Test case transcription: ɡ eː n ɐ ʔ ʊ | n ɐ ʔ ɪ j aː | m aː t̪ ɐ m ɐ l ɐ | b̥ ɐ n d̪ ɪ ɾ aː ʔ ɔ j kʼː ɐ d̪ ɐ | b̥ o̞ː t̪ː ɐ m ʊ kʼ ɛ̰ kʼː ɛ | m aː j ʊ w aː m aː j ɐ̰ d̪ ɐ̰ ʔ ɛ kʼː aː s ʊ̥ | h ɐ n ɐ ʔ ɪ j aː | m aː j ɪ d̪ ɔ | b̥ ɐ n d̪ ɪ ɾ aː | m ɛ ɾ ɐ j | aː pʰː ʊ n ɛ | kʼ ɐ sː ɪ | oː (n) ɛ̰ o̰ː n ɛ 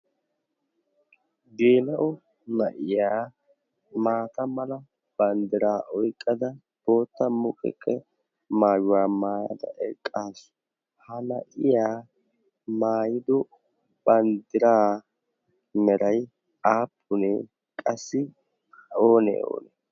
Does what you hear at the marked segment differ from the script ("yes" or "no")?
no